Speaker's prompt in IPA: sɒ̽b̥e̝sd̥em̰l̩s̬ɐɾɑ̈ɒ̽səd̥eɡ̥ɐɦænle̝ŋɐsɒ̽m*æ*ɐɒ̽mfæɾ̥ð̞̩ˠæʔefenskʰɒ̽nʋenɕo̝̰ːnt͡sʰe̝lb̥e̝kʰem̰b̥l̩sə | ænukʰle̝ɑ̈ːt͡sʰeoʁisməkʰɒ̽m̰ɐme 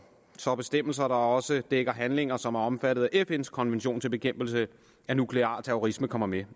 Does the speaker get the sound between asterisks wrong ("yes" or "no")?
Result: no